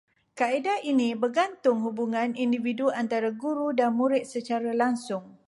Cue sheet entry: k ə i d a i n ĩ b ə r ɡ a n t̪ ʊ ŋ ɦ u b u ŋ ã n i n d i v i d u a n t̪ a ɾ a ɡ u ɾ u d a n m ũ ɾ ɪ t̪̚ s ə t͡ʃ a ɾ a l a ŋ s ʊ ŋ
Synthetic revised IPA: k a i d a i n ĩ b ə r ɡ a n t̪ ʊ ŋ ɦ u b u ŋ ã n i n d i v i d u a n t̪ a ɾ a ɡ u ɾ u d a n m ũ ɾ ɪ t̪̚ s ə t͡ʃ a ɾ a l a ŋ s ʊ ŋ

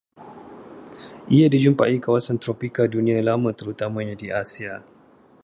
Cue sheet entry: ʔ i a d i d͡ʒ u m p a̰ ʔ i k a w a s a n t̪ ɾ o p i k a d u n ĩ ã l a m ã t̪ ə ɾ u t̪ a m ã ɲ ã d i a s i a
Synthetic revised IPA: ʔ i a d i d͡ʒ u m p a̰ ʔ i k a w a s a n t̪ ɾ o p i k a d u n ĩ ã l a m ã t̪ ə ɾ u t̪ a m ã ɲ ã d i a s i a

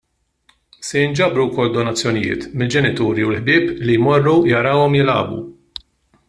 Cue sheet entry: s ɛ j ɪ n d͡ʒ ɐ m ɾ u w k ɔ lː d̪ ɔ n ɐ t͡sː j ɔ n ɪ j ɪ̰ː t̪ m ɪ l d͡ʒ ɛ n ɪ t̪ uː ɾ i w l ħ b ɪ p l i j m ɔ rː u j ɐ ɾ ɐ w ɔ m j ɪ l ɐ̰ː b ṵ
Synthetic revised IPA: s ɛ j ɪ n d͡ʒ ɐ b ɾ u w k ɔ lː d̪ ɔ n ɐ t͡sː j ɔ n ɪ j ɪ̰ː t̪ m ɪ l d͡ʒ ɛ n ɪ t̪ uː ɾ i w l ħ b ɪː p l i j m ɔ rː u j ɐ ɾ ɐ w ɔ m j ɪ l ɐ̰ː b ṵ

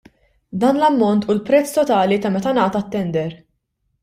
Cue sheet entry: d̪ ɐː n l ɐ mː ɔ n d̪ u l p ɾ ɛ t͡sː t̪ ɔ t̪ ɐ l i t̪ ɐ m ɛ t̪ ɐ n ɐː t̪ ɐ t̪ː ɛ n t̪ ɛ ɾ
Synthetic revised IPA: d̪ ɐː n l ɐ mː ɔ n t̪ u l p ɾ ɛ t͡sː t̪ ɔ t̪ ɐː l i t̪ ɐ m ɛ t̪ ɐ n ɐː t̪ ɐ t̪ː ɛ n d̪ ɛ ɾ

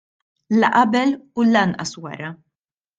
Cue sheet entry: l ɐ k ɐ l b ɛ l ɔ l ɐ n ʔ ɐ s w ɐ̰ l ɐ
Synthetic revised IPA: l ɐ ʔ ɐ b ɛ l u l ɐ n ʔ ɐ s w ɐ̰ ɾ ɐ

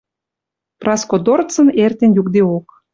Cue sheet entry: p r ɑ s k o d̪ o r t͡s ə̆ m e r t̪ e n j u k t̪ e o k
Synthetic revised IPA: p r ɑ s k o d̪ o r t͡s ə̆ n e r t̪ e n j u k d̪ e o k

